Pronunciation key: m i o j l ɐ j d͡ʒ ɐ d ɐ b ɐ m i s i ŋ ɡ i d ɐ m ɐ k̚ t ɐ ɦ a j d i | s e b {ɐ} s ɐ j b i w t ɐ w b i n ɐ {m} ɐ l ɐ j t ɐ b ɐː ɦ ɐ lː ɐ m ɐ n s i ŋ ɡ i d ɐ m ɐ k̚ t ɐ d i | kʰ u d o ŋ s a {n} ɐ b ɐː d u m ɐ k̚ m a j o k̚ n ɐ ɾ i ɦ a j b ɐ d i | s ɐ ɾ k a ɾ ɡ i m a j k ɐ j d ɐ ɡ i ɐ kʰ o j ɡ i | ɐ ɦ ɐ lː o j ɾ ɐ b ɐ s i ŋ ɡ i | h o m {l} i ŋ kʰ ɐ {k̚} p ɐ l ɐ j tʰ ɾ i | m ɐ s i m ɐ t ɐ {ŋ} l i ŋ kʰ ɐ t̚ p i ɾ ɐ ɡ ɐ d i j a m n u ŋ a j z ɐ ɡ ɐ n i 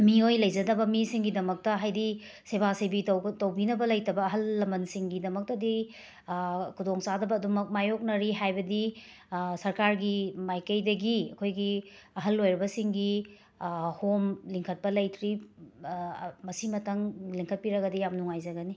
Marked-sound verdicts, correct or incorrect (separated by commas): incorrect, incorrect, incorrect, correct, incorrect, correct